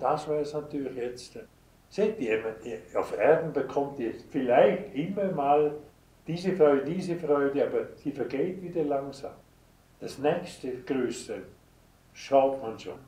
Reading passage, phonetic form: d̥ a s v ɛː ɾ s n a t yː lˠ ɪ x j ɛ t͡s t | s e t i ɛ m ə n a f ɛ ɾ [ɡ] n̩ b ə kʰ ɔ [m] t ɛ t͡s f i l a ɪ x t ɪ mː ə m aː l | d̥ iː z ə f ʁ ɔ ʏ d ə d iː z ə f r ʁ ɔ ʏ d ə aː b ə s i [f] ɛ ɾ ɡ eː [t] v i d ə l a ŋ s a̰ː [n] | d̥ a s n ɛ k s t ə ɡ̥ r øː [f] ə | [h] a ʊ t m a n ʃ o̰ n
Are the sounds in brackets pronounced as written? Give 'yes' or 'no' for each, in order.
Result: no, yes, yes, yes, no, no, no

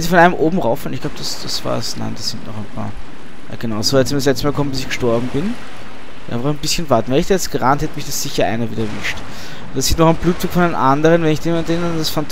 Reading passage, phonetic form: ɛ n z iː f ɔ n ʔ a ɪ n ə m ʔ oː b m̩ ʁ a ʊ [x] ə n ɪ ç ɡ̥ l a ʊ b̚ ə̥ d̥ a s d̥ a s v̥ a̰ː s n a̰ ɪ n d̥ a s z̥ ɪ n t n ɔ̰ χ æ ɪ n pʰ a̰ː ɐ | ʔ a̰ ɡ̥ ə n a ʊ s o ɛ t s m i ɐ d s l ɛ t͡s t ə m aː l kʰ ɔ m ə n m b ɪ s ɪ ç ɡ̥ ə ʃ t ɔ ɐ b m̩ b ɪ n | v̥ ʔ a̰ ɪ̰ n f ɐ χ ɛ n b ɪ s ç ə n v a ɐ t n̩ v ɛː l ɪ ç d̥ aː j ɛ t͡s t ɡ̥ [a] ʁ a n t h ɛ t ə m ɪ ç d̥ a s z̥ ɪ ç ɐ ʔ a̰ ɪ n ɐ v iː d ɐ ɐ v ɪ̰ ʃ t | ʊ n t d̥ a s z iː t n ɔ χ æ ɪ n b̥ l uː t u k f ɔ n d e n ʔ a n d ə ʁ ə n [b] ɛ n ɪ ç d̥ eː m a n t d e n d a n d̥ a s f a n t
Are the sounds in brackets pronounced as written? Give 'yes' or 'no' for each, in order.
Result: no, no, no

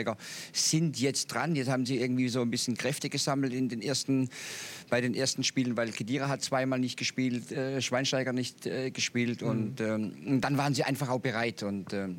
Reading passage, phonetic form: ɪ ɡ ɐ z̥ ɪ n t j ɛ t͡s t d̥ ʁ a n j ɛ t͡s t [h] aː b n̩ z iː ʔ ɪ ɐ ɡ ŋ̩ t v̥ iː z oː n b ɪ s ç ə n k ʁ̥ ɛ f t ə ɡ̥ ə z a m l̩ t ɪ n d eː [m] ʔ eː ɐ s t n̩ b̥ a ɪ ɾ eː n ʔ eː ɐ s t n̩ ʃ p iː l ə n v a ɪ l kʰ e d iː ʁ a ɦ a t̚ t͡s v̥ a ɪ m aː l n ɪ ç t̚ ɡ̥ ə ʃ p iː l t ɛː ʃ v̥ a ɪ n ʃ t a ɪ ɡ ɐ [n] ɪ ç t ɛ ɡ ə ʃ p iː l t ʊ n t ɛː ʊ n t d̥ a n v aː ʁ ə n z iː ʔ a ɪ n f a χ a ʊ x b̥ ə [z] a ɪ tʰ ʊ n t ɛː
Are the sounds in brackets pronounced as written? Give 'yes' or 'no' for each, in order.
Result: yes, no, yes, no

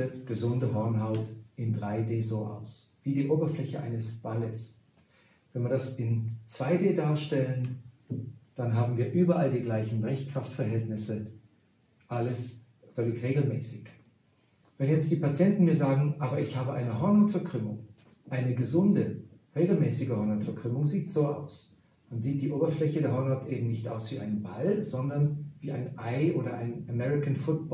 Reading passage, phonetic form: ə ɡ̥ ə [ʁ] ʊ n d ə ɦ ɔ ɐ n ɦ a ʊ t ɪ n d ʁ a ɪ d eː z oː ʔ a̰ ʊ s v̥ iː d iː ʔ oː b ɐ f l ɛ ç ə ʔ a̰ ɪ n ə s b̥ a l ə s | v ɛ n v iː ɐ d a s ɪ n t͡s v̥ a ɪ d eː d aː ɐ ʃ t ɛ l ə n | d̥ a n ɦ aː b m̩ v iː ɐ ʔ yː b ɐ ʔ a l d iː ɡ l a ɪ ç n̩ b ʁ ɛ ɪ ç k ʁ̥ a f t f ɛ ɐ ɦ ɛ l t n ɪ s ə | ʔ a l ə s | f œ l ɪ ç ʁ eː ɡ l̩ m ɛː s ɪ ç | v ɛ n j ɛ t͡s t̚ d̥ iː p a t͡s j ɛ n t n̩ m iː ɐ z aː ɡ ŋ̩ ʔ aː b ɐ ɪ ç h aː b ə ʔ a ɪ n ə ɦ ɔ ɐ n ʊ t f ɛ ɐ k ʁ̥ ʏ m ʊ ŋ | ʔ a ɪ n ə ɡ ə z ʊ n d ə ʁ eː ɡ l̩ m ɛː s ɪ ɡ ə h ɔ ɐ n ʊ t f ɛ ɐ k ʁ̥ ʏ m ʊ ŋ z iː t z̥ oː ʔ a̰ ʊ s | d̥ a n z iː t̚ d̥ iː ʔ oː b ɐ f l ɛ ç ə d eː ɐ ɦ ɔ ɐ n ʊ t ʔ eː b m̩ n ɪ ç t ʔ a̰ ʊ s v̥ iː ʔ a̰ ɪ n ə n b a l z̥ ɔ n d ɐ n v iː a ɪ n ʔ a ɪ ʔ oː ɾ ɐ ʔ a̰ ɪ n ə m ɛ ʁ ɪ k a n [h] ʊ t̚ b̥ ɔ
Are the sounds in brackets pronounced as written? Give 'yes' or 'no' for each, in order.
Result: no, no

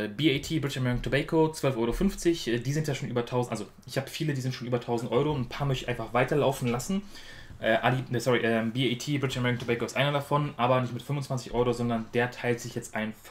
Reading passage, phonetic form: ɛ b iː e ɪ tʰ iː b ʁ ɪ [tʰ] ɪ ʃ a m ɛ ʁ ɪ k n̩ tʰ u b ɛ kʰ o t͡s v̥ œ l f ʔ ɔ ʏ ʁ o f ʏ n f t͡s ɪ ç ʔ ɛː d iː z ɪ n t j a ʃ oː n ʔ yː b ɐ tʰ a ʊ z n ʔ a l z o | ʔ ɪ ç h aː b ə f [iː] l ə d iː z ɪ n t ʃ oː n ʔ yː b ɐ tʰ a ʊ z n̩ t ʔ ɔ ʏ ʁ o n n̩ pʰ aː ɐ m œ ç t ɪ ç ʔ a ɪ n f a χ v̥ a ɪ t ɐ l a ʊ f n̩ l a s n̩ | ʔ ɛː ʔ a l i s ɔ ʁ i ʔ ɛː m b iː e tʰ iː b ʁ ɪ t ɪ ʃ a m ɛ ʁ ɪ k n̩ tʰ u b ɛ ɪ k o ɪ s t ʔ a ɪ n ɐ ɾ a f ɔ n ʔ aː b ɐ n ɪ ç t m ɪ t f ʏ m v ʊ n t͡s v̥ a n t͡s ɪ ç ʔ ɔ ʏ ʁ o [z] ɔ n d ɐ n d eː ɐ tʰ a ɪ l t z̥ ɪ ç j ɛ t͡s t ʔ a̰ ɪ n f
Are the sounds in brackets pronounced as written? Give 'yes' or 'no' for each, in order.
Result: no, yes, yes

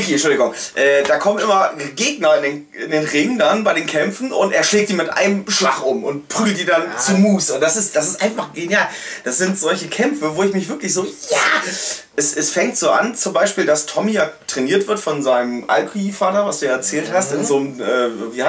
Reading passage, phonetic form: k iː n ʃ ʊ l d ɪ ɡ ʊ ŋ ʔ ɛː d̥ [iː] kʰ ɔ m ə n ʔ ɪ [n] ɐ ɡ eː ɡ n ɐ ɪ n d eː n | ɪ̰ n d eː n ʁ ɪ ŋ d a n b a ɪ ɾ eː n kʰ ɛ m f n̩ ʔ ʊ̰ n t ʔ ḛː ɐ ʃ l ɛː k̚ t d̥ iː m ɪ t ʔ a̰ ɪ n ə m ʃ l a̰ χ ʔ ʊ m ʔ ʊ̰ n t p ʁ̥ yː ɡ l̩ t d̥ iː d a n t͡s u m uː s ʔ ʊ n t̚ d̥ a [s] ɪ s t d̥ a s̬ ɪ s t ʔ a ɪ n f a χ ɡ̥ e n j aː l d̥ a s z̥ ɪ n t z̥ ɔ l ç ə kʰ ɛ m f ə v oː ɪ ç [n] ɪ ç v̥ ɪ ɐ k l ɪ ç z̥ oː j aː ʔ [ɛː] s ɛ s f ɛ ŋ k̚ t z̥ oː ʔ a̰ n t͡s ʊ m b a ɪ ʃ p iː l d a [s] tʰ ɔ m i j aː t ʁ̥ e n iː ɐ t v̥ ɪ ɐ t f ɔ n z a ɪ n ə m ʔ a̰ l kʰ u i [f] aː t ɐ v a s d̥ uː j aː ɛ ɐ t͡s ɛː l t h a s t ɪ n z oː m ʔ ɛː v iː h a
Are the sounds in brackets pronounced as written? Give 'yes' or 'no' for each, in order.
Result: no, no, yes, no, no, yes, yes

